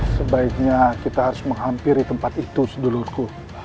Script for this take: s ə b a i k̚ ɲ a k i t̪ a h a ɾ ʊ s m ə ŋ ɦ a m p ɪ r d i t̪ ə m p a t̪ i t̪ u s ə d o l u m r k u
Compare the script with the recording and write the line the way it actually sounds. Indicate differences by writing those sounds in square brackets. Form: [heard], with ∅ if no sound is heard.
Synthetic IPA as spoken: s ə b a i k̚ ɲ a k i t̪ a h a ɾ ʊ s m ə ŋ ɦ a m p ɪ r d i t̪ ə m p a t̪ i t̪ u s ə d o l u [∅] r k u